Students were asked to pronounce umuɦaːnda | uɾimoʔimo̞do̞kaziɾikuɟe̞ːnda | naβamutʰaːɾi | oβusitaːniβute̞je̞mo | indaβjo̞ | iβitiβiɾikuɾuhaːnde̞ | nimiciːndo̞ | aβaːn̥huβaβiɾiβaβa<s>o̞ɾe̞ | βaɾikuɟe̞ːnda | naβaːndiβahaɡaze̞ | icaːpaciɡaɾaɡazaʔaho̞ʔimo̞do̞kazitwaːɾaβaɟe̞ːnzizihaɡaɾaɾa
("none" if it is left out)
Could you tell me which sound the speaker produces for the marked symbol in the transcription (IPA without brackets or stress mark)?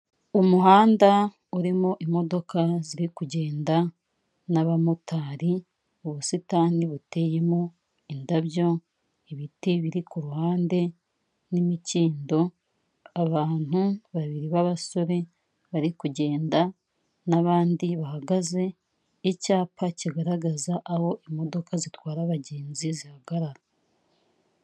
s